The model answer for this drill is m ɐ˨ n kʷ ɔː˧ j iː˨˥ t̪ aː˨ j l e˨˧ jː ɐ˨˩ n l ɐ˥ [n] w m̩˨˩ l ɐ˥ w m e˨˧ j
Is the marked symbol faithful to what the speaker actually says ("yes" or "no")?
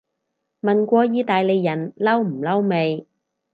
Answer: no